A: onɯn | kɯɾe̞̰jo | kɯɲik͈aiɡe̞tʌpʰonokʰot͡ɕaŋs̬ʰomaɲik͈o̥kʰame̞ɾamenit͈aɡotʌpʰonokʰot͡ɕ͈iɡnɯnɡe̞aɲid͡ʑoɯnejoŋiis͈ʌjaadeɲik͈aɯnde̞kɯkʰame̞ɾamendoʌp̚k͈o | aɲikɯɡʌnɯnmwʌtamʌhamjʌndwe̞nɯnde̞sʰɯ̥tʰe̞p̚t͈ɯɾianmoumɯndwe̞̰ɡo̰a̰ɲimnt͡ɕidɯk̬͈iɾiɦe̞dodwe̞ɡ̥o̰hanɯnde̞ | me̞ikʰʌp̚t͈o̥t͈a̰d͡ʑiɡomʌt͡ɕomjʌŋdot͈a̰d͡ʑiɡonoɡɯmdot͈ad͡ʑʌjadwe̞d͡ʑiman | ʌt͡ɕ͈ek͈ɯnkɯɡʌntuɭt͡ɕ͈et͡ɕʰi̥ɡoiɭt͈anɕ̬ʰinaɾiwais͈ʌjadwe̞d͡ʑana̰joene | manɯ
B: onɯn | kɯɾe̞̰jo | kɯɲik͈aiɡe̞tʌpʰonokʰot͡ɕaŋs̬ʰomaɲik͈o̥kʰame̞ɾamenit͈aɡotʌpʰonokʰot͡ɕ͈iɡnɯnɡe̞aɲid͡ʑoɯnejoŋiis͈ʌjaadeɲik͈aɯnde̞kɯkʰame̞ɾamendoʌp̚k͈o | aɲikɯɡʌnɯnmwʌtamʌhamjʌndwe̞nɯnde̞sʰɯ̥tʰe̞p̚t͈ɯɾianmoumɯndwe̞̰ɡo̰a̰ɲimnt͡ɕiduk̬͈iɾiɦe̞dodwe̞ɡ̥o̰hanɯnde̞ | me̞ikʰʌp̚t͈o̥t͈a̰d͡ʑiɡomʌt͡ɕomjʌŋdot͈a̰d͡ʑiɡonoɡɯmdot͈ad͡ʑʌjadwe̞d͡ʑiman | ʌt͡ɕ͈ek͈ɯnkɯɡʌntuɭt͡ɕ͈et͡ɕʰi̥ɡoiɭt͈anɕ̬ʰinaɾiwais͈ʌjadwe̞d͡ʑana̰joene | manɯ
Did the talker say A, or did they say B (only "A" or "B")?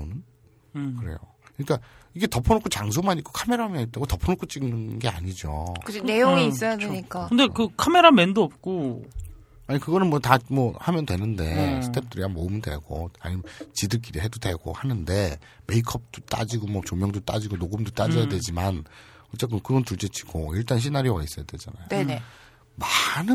A